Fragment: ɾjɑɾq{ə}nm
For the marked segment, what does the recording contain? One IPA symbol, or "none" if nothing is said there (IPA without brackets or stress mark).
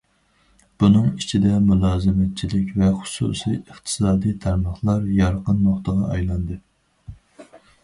ə